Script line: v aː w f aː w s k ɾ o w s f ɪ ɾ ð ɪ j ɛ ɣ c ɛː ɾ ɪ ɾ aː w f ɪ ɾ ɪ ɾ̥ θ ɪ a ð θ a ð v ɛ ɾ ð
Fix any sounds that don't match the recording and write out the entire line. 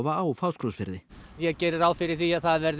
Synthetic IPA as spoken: v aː w f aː w s k ɾ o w s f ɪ ɾ ð ɪ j ɛ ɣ c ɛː ɾ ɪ ɾ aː w f ɪ ɾ ɪ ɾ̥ θ i a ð θ a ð v ɛ ɾ ð